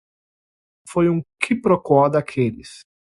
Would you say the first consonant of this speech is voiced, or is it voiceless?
voiceless